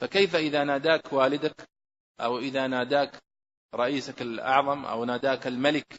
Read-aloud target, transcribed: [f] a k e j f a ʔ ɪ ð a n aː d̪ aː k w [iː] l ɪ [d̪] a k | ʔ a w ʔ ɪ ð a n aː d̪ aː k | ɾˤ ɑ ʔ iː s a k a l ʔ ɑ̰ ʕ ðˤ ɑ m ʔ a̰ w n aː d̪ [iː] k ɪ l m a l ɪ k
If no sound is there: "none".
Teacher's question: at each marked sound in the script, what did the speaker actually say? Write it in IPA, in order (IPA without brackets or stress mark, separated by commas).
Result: f, aː, d̪, aː